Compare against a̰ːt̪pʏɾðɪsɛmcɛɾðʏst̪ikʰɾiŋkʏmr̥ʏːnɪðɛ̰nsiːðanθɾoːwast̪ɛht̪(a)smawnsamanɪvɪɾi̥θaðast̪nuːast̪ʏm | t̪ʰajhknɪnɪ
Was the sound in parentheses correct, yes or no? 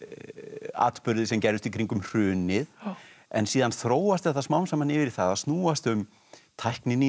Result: yes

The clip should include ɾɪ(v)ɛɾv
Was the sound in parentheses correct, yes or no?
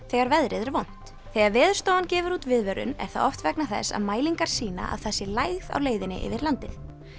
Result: no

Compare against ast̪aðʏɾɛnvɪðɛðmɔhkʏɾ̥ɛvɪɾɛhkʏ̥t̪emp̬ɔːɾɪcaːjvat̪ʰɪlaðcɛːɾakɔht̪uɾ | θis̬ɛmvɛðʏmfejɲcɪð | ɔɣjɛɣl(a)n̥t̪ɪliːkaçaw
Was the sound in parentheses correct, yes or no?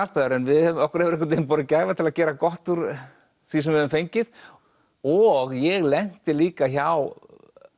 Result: no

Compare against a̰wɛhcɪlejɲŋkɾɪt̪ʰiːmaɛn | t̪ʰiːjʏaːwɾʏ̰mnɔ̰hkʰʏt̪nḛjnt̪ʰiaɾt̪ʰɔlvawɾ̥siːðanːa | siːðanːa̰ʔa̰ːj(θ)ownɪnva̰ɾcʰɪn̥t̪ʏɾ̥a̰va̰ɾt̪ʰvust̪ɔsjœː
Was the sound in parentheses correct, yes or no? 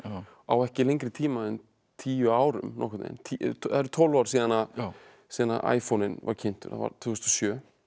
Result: no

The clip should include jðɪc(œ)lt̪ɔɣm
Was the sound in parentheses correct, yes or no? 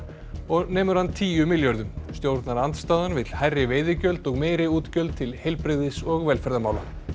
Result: yes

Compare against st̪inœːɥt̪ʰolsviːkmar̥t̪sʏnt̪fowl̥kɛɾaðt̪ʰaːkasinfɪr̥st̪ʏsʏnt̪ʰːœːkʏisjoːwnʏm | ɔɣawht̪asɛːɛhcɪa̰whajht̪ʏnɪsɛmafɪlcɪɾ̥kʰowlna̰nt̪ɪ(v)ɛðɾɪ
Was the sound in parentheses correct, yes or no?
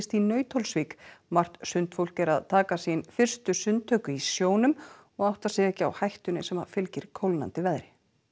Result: yes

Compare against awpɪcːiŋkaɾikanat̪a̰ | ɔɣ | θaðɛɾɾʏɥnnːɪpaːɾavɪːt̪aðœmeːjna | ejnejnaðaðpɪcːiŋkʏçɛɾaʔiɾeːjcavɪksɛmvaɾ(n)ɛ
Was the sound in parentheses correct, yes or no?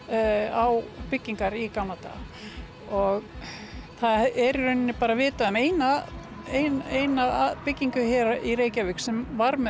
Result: no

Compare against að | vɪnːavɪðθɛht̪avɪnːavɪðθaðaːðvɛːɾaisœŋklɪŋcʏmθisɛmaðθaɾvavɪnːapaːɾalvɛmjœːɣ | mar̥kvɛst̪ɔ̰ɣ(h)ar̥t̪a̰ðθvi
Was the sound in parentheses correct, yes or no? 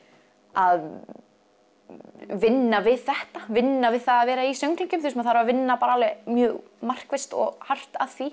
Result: yes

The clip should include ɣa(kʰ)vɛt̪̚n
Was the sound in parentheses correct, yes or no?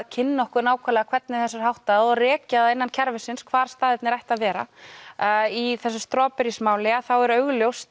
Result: yes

